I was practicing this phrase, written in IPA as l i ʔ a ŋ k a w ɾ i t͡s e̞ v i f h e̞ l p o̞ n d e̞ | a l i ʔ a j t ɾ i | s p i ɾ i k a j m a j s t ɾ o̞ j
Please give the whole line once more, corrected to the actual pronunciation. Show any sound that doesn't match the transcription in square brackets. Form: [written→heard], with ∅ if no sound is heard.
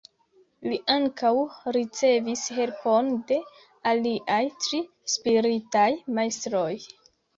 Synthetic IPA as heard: l i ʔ a ŋ k a w ɾ i t͡s e̞ v i [f→s] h e̞ l p o̞ n d e̞ | a l i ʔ a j t ɾ i | s p i ɾ i [k→t] a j m a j s t ɾ o̞ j